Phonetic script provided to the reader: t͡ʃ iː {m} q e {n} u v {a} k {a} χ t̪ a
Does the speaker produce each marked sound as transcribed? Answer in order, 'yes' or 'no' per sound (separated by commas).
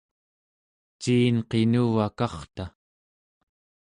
no, yes, yes, no